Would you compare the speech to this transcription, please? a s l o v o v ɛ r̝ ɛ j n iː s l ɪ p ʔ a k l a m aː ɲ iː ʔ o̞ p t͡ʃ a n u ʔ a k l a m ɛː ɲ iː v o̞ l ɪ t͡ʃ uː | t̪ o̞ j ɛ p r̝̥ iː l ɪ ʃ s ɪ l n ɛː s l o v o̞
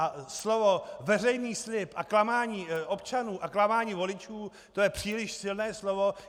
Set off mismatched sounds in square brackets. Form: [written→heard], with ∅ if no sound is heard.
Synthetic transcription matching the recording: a s l o v o v ɛ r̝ ɛ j n iː s l ɪ p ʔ a k l a m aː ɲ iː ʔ o̞ p t͡ʃ a n [u→uː] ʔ a k l a m [ɛː→aː] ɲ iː v o̞ l ɪ t͡ʃ uː | t̪ o̞ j ɛ p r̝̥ iː l ɪ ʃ s ɪ l n ɛː s l o v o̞